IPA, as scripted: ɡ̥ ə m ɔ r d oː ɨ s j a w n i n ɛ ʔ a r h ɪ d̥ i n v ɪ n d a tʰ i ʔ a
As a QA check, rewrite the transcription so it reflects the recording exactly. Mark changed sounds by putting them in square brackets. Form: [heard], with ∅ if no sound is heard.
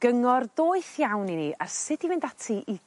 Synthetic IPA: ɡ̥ ə [ŋ] ɔ r d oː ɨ [θ] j a w n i n [i] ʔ a r [s] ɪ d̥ i [∅] v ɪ n d a tʰ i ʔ [i]